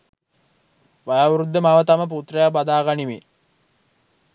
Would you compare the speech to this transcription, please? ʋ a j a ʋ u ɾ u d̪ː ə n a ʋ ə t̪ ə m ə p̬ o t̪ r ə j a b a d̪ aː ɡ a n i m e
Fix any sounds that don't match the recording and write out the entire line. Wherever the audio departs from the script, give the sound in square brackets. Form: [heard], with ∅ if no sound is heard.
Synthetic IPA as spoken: ʋ a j a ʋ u ɾ u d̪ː ə [m] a ʋ ə t̪ [a] m ə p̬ [u] t̪ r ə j a b a d̪ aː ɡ a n i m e